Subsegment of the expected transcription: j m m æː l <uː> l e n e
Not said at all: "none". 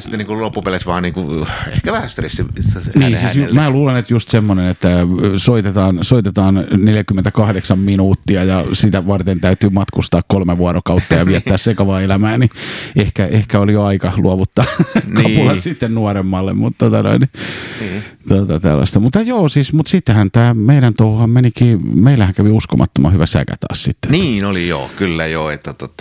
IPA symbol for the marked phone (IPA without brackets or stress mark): uː